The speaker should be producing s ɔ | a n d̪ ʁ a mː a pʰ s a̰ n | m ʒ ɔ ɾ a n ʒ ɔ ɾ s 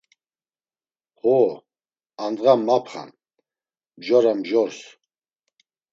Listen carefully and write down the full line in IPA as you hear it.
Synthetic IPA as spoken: h ɔ | a n d̪ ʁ a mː a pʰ χ a̰ n | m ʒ ɔ ɾ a m ʒ ɔ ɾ s